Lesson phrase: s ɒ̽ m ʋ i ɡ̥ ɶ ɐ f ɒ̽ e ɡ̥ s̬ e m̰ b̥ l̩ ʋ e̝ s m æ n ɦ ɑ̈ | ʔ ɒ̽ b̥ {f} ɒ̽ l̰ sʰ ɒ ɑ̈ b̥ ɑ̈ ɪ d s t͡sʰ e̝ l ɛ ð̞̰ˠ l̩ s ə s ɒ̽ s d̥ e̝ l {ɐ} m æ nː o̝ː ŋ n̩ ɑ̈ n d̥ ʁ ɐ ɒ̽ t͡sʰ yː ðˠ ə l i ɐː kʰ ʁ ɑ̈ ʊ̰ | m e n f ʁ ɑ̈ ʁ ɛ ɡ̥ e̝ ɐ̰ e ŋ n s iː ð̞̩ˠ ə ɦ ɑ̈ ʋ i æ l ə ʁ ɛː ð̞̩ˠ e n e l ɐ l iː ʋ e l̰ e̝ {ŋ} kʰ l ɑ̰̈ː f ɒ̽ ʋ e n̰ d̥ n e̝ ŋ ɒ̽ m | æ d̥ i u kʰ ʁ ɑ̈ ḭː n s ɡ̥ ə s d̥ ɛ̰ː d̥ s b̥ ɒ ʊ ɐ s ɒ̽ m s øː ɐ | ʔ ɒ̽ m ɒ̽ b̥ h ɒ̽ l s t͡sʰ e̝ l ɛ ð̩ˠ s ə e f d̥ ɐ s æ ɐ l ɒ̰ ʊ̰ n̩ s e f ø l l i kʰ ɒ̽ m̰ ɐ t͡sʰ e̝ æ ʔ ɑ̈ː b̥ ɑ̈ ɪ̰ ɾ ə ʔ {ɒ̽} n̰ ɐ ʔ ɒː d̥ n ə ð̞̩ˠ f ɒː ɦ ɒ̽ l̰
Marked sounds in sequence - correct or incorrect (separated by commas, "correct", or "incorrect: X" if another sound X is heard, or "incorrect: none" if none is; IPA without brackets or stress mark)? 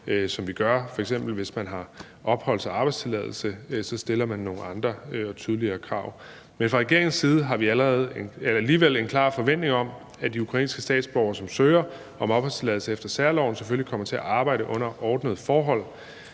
incorrect: h, correct, incorrect: n, incorrect: ɔ̽